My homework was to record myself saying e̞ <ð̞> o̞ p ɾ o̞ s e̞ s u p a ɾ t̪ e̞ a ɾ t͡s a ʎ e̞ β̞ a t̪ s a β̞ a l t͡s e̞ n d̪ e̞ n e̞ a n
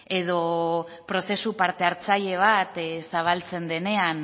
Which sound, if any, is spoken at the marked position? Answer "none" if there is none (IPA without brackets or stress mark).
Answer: ð̞